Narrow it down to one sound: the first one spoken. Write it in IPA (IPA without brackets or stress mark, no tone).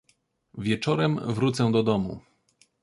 vʲ